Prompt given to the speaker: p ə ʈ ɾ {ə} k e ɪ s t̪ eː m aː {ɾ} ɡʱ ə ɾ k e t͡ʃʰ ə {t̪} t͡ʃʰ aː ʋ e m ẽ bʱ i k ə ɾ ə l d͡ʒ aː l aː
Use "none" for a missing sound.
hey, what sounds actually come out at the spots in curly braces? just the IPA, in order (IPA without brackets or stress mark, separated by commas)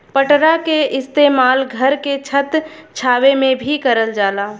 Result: a, l, t̪